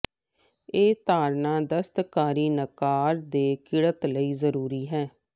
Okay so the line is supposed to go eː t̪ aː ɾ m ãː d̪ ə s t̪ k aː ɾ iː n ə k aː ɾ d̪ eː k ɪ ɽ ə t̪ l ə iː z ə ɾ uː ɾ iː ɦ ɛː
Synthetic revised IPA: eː t̪ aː ɾ n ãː d̪ ə s t̪ k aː ɾ iː n ə k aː ɾ d̪ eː k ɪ ɽ ə t̪ l ə iː z ə ɾ uː ɾ iː ɦ ɛː